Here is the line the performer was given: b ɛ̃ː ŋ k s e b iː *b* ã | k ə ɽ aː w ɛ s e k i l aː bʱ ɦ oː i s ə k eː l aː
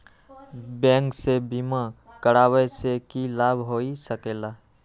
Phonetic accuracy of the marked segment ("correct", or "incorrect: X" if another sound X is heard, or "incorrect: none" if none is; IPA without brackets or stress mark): incorrect: m